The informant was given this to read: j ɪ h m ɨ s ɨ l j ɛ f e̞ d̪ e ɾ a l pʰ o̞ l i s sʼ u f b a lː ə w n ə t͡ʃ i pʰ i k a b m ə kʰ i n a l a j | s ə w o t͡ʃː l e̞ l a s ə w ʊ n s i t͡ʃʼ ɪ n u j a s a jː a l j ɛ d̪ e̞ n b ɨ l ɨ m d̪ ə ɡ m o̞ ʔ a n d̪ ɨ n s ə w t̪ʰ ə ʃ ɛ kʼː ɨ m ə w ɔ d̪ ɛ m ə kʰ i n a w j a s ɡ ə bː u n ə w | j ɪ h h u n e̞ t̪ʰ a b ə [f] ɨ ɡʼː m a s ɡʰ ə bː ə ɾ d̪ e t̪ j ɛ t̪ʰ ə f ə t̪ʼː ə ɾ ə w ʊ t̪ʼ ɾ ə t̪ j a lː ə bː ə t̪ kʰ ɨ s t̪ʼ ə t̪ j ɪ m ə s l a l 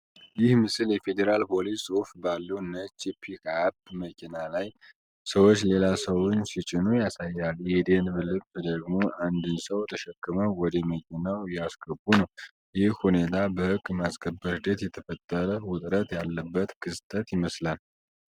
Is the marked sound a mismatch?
yes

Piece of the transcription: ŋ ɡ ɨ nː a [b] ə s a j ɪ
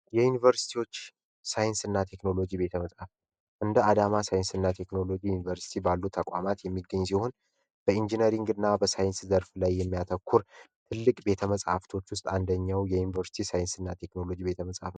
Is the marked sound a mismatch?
no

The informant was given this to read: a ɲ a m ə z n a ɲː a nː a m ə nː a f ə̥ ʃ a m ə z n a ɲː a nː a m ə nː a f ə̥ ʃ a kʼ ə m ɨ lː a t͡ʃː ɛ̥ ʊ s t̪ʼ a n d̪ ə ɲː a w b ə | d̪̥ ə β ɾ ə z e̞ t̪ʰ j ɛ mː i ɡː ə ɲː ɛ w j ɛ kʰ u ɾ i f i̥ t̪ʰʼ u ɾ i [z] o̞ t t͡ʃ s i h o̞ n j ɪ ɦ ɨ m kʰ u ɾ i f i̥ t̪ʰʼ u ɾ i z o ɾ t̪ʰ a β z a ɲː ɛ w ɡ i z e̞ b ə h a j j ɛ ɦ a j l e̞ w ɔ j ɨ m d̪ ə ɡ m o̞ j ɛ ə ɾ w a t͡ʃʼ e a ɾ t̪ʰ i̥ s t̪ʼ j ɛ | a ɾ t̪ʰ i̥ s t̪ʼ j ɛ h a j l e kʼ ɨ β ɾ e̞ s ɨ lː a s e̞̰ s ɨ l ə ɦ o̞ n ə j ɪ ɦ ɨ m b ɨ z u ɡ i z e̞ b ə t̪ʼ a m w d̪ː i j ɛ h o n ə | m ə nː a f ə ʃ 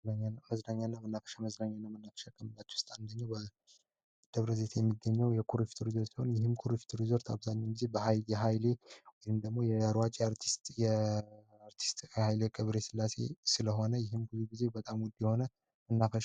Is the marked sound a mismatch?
no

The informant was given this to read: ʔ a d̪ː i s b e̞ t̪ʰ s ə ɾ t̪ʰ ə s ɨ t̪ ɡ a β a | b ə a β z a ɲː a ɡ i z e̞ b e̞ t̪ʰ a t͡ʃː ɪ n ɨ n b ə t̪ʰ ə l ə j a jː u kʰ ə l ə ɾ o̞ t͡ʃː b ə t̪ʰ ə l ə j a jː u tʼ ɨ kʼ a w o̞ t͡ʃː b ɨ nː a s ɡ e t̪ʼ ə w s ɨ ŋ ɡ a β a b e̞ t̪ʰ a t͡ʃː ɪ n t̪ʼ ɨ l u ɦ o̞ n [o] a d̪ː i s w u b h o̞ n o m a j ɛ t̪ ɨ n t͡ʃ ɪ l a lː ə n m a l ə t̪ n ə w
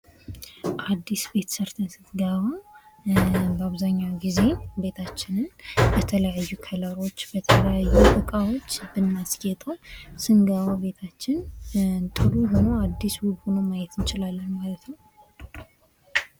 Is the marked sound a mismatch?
no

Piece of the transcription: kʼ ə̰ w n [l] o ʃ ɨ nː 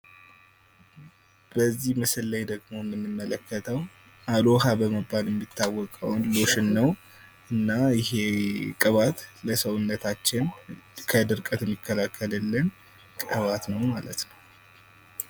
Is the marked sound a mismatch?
no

